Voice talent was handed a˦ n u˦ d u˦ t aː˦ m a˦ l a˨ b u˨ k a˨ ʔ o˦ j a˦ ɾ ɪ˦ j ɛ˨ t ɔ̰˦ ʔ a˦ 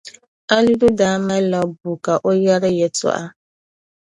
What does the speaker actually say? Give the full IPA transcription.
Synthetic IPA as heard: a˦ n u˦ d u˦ d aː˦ m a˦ l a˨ b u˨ k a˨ ʔ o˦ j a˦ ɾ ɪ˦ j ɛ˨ t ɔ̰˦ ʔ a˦

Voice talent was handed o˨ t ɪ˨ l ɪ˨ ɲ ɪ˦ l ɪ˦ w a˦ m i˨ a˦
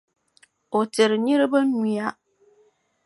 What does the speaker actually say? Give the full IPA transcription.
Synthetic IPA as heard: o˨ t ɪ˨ ɾ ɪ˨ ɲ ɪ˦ ɾ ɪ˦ b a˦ n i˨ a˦

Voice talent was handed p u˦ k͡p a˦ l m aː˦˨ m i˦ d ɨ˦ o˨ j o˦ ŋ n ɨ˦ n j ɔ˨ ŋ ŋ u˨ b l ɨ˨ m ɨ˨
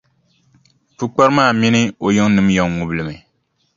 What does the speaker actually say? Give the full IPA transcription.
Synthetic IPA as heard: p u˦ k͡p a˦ ɾ m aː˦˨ m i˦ n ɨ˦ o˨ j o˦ ŋ n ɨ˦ m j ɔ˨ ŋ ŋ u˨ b l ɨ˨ m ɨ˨

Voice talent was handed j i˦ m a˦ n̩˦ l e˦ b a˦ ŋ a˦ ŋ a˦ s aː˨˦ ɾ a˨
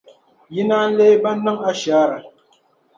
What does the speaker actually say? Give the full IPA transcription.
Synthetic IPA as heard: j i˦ n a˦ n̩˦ l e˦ b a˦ n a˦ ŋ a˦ ʃ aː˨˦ ɾ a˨

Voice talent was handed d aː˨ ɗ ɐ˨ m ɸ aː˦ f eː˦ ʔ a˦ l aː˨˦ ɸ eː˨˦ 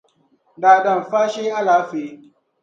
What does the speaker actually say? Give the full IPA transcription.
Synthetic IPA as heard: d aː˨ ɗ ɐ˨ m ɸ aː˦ ʃ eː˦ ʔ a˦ l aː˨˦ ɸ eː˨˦

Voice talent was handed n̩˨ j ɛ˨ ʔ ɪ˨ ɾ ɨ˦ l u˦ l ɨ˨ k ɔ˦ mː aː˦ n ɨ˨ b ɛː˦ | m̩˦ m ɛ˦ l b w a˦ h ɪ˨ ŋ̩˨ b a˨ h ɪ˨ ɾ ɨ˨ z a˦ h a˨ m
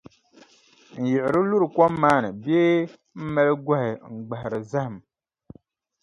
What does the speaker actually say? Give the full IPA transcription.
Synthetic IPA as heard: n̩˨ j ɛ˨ ʔ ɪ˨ ɾ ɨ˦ l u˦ ɾ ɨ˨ k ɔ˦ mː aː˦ n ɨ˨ b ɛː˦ | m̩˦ m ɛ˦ l ɡ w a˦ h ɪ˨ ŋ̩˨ ɡ͡b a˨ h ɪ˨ ɾ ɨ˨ z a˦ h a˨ m

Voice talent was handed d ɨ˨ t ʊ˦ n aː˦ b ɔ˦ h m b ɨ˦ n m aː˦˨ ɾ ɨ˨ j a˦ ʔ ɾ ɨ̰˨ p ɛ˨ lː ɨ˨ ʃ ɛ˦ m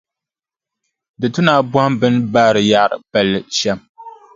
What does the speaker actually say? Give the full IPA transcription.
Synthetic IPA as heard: d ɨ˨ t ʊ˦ n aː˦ b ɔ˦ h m b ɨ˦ n b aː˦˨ ɾ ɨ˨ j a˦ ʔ ɾ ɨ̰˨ p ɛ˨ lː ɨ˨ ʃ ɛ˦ m

